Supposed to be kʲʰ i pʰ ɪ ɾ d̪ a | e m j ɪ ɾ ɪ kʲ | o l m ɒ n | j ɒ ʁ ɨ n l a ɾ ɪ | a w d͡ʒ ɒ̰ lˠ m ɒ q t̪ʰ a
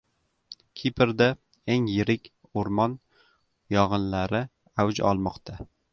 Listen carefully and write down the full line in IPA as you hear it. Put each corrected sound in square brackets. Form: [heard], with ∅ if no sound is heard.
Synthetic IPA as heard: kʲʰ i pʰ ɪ ɾ d̪ a | e [ŋ] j ɪ ɾ ɪ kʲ | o [ɾ] m ɒ n | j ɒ ʁ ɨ n l a ɾ ɪ | a w d͡ʒ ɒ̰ lˠ m ɒ q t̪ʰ a